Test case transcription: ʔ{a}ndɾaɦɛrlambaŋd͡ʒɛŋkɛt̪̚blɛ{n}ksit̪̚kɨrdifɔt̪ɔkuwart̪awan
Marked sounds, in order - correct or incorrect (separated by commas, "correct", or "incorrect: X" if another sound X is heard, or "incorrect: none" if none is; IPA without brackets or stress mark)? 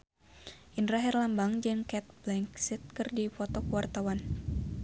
incorrect: i, incorrect: ŋ